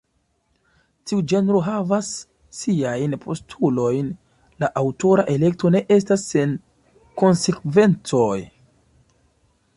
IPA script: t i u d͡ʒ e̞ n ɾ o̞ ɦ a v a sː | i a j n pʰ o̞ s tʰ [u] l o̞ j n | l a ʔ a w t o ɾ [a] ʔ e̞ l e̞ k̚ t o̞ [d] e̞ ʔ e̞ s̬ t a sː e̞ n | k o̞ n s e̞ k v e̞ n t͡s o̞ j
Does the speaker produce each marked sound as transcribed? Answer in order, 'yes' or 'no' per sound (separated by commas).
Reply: yes, yes, no